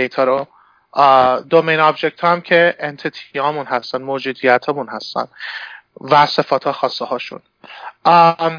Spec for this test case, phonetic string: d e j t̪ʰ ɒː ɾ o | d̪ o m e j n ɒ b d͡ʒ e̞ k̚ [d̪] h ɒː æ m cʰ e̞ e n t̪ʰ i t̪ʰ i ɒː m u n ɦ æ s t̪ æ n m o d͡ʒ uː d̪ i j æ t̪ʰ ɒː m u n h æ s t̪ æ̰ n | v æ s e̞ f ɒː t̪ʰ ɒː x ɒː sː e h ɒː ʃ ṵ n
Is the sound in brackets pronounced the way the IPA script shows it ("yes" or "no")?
no